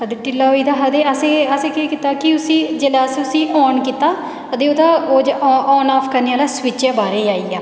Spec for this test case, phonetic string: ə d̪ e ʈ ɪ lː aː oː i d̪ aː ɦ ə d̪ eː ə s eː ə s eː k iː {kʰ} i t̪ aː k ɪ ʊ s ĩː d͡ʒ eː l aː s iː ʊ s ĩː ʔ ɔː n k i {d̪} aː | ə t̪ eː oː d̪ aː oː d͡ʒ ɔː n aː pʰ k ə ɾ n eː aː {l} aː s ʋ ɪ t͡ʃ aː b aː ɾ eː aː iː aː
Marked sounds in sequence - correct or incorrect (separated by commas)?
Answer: incorrect, incorrect, correct